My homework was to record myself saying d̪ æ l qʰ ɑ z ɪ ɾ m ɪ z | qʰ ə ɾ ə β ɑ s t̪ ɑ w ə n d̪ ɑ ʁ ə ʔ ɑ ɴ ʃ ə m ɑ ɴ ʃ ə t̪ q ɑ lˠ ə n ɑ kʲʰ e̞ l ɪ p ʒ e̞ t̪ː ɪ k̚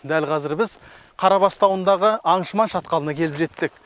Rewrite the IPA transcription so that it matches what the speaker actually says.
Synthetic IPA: d̪ æ l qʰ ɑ z ɪ ɾ b ɪ z | qʰ ɑ ɾ ɑ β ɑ s t̪ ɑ w ə n d̪ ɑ ʁ ə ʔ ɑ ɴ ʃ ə m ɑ n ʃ ɑ t̪ q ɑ lˠ ə n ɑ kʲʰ e̞ l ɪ p ʒ e̞ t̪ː ɪ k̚